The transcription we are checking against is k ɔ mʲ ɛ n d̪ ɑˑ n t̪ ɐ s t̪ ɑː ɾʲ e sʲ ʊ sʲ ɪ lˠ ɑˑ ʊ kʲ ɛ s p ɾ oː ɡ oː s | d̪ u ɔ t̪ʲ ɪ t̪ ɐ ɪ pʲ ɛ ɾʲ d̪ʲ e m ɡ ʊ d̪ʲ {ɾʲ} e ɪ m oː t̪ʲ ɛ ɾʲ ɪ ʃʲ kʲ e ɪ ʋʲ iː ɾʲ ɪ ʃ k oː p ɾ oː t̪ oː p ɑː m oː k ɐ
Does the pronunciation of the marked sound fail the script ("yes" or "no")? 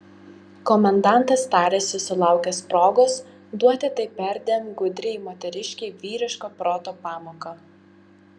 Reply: no